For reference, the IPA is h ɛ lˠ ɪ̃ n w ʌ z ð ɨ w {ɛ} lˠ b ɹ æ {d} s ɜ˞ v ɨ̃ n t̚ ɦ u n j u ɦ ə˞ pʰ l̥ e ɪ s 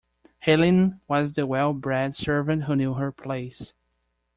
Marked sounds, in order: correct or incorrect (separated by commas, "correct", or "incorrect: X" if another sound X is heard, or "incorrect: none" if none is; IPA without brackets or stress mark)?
correct, correct